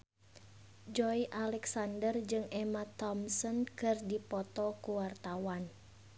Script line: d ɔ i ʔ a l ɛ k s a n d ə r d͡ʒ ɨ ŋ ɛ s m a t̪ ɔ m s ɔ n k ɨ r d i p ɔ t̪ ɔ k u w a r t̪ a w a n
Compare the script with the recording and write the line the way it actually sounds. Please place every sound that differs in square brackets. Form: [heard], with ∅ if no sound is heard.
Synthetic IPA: [d͡ʒ] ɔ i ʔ a l ɛ k s a n d ə r d͡ʒ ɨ ŋ ɛ [∅] m a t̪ ɔ m s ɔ n k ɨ r d i p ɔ t̪ ɔ k u w a r t̪ a w a n